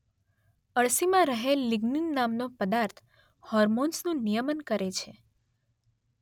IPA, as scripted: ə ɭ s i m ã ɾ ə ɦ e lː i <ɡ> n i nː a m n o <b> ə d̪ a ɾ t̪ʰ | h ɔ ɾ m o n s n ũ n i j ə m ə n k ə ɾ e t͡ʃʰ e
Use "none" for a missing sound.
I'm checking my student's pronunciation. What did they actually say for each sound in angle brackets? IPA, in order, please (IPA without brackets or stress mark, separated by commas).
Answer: ɡ, p